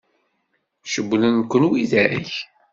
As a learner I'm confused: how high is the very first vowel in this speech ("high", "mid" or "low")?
mid